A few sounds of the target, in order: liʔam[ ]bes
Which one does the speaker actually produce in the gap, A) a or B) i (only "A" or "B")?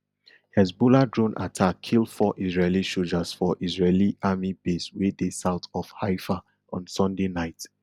B